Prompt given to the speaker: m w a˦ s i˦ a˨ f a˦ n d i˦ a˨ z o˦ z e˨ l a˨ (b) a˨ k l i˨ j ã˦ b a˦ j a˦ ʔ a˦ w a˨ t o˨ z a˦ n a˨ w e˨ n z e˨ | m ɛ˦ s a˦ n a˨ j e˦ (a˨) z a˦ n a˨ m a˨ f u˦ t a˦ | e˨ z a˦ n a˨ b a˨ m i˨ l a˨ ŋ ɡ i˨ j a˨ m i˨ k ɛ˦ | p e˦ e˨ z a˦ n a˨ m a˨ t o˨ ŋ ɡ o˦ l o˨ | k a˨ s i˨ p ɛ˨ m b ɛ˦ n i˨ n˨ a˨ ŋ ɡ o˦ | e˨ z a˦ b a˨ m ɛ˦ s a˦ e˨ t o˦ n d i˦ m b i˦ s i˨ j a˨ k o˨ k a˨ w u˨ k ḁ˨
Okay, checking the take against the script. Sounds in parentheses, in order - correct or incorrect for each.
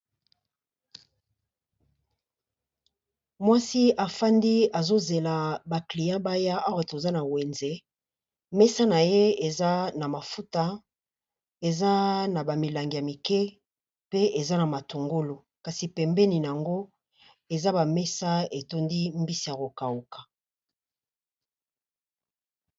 correct, incorrect: e˨

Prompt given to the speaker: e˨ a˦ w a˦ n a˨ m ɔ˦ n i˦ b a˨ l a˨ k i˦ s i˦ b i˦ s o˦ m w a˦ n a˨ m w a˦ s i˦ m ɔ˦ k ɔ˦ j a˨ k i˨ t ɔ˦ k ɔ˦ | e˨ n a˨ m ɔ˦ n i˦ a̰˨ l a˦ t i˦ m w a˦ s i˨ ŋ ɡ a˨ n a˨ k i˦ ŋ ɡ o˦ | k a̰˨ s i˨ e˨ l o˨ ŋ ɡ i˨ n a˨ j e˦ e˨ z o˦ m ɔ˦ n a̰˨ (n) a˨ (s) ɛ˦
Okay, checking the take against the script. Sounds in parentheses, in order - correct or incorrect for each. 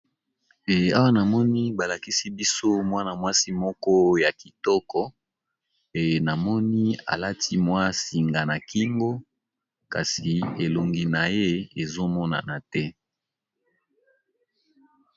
correct, incorrect: t

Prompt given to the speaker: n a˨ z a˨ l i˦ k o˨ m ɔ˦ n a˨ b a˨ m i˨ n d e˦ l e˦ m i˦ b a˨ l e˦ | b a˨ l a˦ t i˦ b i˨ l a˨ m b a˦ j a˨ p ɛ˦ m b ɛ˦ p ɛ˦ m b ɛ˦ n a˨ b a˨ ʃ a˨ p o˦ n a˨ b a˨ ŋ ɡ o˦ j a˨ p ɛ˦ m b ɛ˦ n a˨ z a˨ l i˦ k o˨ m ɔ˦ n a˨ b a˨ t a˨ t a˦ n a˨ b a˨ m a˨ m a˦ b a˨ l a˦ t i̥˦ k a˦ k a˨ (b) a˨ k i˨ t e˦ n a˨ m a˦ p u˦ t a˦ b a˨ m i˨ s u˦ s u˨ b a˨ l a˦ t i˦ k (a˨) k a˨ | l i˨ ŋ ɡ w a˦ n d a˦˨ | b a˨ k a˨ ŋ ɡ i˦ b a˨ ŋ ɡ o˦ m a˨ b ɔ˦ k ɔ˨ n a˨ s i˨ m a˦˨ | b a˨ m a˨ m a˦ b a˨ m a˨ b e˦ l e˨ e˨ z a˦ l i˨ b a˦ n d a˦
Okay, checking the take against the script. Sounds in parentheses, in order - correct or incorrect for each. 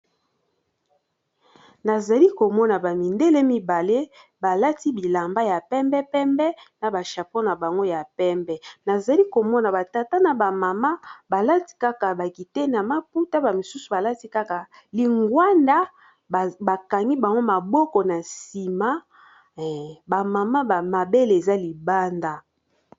correct, incorrect: a˦

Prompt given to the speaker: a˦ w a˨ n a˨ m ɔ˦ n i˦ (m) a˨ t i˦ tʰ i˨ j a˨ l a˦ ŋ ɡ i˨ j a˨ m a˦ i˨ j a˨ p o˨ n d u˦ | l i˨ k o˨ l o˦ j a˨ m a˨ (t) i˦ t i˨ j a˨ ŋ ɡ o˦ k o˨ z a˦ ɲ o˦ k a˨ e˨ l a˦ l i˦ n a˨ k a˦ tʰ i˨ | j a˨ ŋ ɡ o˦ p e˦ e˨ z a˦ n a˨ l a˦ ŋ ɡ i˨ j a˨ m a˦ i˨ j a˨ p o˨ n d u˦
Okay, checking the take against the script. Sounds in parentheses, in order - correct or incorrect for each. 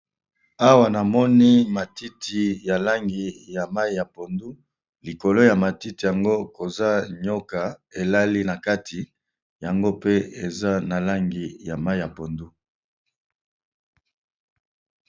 correct, correct

